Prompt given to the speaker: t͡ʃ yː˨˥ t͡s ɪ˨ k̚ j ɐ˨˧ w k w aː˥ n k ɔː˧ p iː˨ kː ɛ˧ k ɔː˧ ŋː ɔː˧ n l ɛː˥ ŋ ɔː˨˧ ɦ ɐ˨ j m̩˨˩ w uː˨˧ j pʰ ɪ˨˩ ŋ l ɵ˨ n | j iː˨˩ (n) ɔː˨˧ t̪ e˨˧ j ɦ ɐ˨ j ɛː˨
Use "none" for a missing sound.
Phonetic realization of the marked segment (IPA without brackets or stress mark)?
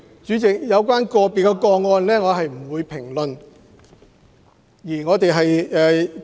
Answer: ŋ